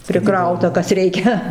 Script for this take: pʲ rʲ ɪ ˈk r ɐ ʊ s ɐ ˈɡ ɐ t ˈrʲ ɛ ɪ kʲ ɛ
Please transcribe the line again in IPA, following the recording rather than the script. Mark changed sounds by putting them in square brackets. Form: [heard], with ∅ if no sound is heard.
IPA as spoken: pʲ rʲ ɪ ˈk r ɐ ʊ [t] ɐ [ˈk] ɐ [s] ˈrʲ ɛ ɪ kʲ ɛ